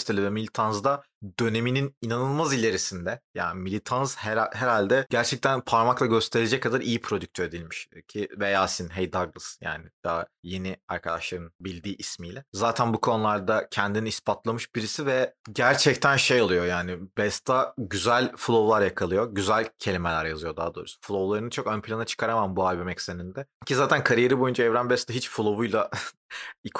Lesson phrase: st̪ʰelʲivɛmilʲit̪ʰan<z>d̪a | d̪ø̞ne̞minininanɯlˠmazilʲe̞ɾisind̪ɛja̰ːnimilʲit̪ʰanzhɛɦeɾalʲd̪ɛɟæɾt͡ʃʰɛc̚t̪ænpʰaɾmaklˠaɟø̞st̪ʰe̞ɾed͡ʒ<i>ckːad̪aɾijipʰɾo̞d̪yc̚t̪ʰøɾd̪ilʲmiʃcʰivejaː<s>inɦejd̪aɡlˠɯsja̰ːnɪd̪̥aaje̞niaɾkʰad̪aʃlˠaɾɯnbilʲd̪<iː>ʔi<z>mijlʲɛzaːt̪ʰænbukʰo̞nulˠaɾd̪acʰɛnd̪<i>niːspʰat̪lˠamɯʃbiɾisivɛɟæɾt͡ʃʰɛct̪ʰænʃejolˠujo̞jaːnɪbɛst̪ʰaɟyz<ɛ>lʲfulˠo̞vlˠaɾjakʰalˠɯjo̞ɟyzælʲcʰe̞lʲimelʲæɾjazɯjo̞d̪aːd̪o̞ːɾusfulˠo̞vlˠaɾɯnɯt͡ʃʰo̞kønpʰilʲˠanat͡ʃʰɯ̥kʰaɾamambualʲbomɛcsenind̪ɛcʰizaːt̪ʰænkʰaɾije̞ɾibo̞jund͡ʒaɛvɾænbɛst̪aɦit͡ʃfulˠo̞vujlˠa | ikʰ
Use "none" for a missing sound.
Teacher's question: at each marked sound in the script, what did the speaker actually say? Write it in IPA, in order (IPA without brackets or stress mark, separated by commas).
z, ɛ, s, iː, s, i, æ